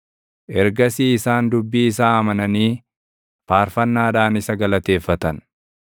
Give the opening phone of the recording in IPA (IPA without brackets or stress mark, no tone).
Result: ʔ